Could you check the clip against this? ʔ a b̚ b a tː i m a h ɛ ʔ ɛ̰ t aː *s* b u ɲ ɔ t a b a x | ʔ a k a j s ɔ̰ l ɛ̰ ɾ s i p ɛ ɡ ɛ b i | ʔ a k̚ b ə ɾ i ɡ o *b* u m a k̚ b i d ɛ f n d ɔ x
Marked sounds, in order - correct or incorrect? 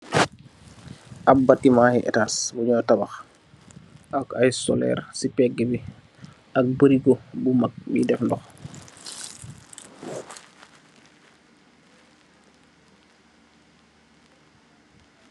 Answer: correct, correct

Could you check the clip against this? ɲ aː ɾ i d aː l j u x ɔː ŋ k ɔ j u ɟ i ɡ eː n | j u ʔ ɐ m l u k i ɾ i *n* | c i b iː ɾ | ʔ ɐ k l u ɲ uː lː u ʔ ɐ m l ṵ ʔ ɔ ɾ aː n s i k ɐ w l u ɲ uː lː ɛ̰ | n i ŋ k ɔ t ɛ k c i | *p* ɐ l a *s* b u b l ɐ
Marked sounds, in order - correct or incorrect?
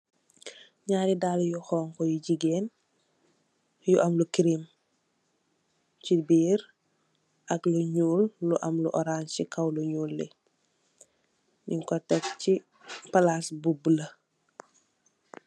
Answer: incorrect, correct, correct

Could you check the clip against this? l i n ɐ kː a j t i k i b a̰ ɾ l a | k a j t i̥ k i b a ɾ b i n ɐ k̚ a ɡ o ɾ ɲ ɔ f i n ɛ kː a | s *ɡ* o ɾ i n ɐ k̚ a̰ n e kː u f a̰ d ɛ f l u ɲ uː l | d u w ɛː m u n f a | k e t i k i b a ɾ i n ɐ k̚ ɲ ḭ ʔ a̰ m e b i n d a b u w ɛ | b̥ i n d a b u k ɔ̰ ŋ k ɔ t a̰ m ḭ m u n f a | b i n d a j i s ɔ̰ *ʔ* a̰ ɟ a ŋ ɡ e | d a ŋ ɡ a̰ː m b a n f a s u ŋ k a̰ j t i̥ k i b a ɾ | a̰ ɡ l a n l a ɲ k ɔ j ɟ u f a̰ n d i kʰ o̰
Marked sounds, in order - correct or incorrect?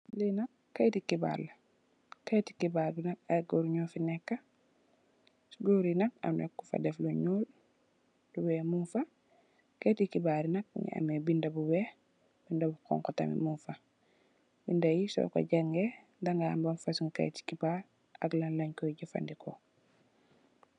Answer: correct, incorrect

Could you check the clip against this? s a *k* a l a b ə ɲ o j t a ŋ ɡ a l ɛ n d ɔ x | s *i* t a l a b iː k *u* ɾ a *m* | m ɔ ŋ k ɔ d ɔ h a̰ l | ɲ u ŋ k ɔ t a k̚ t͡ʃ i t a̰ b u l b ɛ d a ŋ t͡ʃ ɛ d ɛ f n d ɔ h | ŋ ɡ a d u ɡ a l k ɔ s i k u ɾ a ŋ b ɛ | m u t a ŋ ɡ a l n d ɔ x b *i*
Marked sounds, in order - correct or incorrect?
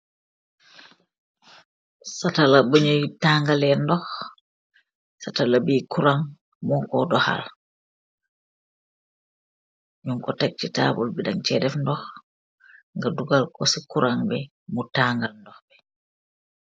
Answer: incorrect, incorrect, correct, incorrect, incorrect

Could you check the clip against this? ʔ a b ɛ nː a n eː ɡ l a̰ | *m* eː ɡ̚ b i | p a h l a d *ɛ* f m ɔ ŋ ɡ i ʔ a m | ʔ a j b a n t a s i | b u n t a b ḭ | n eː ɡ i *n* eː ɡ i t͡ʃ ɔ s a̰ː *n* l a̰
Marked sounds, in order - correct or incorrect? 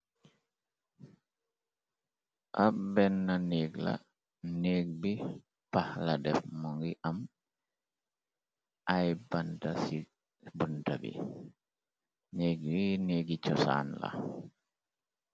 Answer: incorrect, correct, correct, correct

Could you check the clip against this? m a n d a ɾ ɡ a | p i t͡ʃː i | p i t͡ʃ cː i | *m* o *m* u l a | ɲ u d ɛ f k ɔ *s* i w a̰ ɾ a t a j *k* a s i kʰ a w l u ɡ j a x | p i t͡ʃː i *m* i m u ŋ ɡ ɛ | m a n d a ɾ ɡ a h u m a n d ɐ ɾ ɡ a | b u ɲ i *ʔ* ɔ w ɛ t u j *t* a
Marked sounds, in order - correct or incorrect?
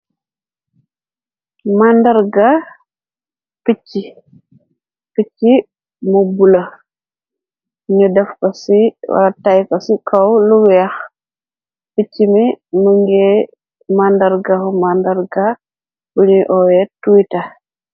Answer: correct, incorrect, correct, correct, correct, correct, correct

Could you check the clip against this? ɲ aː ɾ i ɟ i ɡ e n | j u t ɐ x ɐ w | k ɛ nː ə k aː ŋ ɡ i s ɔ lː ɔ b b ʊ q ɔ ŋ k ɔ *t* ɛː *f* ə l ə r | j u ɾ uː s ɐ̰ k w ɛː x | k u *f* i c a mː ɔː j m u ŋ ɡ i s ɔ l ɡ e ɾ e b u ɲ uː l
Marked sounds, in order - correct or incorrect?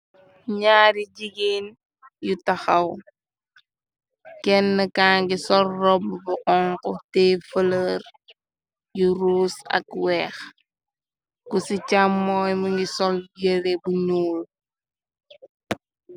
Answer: correct, correct, incorrect

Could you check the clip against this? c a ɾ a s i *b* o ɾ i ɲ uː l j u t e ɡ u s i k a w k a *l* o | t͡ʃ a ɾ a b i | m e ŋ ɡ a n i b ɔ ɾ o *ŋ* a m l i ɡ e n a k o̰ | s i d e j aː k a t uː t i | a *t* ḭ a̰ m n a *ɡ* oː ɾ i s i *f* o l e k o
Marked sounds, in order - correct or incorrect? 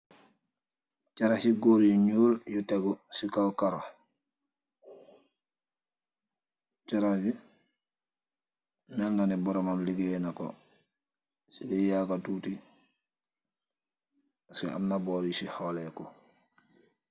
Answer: incorrect, incorrect, incorrect, incorrect, incorrect, incorrect

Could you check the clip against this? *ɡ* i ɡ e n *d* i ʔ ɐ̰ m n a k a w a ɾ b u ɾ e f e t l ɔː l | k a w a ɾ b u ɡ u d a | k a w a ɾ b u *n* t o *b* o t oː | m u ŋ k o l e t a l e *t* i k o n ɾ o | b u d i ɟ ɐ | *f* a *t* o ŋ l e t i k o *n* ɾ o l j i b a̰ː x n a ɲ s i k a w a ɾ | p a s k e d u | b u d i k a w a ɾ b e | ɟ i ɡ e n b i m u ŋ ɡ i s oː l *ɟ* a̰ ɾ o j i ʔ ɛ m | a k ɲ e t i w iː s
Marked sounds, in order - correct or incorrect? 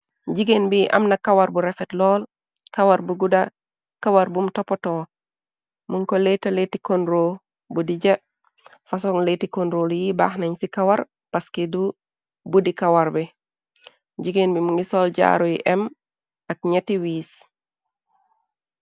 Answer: incorrect, incorrect, incorrect, incorrect, correct, correct, incorrect, correct, correct

